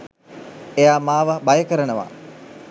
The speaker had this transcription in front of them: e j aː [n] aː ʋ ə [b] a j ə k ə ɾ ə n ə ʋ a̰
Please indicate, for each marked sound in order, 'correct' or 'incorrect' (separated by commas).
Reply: incorrect, correct